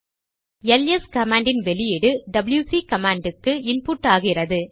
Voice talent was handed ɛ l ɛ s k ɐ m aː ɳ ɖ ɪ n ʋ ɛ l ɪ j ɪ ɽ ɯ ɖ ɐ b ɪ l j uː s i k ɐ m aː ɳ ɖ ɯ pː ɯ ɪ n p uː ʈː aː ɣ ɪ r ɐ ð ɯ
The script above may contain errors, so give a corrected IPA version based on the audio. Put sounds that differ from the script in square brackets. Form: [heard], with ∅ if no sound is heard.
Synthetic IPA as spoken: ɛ l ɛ s k ɐ m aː ɳ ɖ ɪ n ʋ ɛ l ɪ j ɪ ɽ ɯ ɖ ɐ b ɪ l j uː s i k ɐ m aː ɳ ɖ ɯ [kː] ɯ ɪ n p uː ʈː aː ɣ ɪ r ɐ ð ɯ